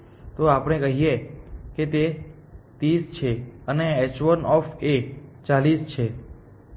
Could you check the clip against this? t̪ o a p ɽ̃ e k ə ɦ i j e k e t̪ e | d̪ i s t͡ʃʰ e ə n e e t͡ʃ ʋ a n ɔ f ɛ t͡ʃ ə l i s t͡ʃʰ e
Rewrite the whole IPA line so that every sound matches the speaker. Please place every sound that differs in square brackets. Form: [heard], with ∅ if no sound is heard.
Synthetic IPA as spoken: t̪ o a p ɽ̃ e k ə ɦ i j e k e t̪ e | [t̪] i s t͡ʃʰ e ə n e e t͡ʃ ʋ [ə] n ɔ f [e] t͡ʃ [a] l i s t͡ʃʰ e